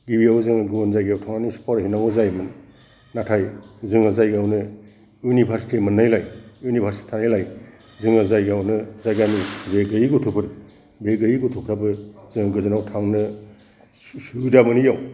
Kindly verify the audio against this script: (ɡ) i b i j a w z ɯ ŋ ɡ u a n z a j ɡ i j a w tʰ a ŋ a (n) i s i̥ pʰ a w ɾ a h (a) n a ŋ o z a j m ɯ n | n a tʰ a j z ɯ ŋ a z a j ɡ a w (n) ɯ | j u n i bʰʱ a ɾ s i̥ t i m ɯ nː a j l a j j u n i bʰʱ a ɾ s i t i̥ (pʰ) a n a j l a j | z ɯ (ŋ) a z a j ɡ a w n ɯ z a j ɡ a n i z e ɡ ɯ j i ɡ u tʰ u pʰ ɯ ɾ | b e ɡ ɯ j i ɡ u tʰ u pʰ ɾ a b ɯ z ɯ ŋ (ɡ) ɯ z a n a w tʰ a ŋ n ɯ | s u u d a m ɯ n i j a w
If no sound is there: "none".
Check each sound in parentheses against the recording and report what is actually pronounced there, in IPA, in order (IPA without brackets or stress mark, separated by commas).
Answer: ɡ, n, i, n, tʰ, ŋ, ɡ